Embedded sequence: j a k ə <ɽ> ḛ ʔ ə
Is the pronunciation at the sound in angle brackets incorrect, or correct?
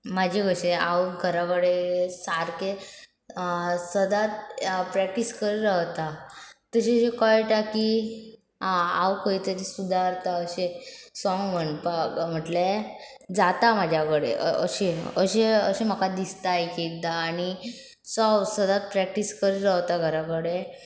correct